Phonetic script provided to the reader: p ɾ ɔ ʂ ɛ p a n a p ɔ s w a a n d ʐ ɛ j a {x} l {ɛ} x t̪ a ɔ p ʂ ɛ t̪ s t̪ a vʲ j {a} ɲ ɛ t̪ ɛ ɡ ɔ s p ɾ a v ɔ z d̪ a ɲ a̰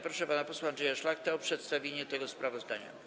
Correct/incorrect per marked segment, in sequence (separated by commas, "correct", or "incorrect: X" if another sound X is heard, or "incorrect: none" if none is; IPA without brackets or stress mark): incorrect: ʂ, incorrect: a, incorrect: e